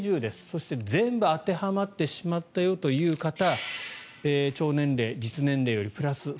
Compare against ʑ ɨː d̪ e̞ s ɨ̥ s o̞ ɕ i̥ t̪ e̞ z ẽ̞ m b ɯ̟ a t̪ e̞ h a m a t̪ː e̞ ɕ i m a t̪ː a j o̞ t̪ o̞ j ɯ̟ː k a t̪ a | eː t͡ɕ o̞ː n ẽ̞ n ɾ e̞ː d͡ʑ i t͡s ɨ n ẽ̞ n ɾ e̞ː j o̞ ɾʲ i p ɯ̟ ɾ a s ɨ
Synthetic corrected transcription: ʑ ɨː d̪ e̞ s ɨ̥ s o̞ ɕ i̥ t̪ e̞ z ẽ̞ m b ɯ̟ a t̪ e̞ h a m a t̪ː e̞ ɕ i m a t̪ː a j o̞ t̪ o̞ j ɯ̟ː k a t̪ a | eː t͡ɕ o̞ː n ẽ̞ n ɾ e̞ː d͡ʑ i t͡s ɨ n ẽ̞ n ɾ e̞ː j o̞ ɾʲ i p ɯ̟ ɾ a s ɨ